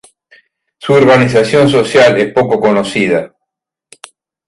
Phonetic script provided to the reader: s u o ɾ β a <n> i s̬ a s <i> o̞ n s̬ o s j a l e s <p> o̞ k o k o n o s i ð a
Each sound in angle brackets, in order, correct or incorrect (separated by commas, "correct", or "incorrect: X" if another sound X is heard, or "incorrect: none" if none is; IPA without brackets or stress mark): correct, incorrect: j, correct